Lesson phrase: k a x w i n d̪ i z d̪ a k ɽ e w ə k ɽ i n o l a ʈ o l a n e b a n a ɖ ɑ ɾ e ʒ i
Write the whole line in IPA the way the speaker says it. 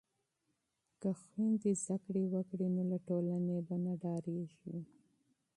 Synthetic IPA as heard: k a x w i n d̪ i z d̪ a k ɽ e w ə k ɽ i n o l a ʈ o l a n e b a n a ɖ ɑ ɾ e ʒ i